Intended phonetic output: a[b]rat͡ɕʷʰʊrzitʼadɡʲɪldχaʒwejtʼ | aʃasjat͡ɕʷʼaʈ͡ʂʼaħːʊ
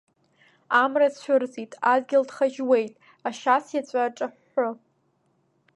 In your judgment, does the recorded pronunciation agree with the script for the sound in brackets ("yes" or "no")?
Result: no